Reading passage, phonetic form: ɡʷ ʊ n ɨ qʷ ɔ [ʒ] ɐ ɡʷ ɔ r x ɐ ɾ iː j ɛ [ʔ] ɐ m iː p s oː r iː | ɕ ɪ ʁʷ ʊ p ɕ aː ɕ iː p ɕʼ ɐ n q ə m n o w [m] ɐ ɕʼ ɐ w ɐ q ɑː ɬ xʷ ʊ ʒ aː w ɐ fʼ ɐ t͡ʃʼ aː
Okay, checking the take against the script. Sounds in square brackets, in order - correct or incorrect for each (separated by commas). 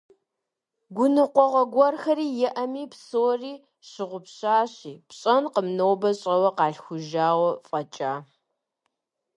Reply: incorrect, correct, incorrect